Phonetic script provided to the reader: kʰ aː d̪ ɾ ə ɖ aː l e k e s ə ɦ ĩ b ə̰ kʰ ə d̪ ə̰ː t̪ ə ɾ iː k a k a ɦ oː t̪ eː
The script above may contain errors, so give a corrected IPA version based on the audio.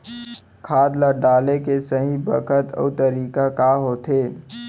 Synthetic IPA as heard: kʰ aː d̪ l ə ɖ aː l e k e s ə ɦ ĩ b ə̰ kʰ ə t̪ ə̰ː t̪ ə ɾ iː k a k a ɦ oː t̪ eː